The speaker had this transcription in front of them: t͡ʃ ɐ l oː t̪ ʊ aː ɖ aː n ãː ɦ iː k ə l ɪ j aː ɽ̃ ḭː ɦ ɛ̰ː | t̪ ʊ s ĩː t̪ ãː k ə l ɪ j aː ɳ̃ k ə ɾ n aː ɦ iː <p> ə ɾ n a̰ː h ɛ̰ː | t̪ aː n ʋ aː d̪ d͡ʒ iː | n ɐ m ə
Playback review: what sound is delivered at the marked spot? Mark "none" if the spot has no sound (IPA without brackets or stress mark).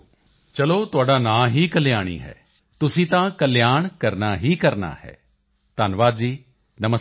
k